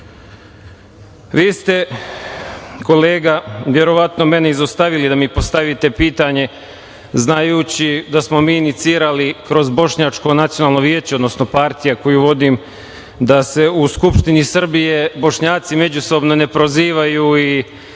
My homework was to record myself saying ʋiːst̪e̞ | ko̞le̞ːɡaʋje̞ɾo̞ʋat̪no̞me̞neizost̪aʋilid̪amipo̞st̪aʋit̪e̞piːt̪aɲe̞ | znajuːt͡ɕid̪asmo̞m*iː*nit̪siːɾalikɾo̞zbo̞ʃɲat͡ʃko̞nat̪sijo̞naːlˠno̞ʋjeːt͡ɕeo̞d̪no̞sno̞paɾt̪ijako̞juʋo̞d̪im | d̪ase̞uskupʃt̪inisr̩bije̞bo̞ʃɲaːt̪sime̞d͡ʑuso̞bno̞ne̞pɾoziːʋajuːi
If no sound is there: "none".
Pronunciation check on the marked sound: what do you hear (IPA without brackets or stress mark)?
iː